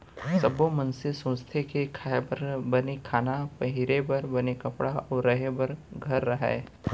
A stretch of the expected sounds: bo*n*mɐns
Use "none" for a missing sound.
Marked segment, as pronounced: none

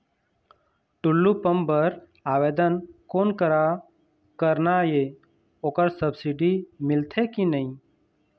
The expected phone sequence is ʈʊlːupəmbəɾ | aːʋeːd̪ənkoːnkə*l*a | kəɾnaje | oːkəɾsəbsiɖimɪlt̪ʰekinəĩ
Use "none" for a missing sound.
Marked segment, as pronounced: ɾ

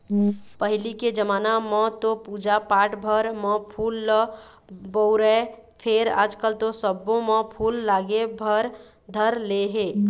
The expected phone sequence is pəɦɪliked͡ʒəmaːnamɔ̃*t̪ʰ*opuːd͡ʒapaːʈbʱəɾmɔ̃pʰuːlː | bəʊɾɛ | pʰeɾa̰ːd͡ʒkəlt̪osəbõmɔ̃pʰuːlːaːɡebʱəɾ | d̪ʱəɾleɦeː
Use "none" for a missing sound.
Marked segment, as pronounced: t̪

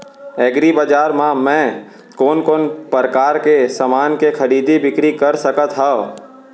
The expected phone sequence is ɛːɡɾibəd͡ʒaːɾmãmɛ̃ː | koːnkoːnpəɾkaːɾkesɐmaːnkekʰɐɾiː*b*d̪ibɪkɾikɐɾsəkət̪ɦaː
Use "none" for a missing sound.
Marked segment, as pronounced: none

